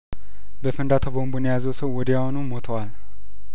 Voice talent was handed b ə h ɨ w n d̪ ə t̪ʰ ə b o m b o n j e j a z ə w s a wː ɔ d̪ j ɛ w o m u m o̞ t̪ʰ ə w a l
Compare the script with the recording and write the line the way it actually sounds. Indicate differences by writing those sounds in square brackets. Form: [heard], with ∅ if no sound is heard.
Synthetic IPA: b ə [f] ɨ [∅] n d̪ [a] t̪ʰ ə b o m b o n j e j a z ə w s [ə] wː ɔ d̪ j [a] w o [n] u m o̞ t̪ʰ ə w a l